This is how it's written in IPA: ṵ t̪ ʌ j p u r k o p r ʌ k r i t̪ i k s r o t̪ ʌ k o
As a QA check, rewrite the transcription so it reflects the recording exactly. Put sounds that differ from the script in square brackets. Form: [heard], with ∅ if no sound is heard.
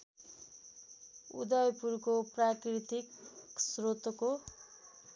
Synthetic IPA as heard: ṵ [d̪] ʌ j p u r k o p r [a] k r i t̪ i k s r o t̪ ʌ k o